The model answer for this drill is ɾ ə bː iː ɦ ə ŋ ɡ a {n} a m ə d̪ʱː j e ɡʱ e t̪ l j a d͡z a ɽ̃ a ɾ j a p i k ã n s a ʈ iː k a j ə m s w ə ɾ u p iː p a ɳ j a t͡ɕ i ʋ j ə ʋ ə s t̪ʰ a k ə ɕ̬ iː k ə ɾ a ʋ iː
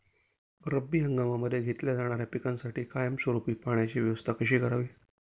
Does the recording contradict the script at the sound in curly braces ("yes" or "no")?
yes